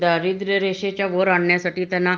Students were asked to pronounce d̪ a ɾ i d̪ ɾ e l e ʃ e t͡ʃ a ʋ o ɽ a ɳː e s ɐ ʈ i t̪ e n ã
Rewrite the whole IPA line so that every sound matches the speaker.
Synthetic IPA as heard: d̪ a ɾ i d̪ ɾ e ɾ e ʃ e t͡ʃ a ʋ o ɾ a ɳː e s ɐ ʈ i t̪ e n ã